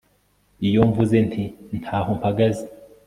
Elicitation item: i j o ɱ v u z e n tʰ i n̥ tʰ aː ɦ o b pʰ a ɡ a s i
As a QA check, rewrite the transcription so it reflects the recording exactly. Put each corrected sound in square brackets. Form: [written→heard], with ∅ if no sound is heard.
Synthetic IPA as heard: i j o ɱ v u z e n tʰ i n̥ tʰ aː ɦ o [b→m] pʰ a ɡ a [s→z] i